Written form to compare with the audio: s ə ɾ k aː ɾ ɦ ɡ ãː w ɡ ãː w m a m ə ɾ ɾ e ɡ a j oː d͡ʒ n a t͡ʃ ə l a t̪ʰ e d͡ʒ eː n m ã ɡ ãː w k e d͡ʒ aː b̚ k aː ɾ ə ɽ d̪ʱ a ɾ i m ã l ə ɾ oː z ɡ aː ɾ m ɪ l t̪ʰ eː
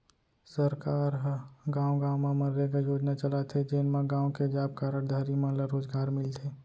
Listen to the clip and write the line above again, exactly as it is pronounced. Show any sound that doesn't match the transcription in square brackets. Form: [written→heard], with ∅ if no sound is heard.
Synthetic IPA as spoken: s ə ɾ k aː ɾ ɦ ɡ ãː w ɡ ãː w m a m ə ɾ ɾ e ɡ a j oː d͡ʒ n a t͡ʃ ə l a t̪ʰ e d͡ʒ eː n m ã ɡ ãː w k e d͡ʒ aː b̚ k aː ɾ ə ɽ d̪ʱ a ɾ i m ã l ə ɾ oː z ɡ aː ɾ m ɪ l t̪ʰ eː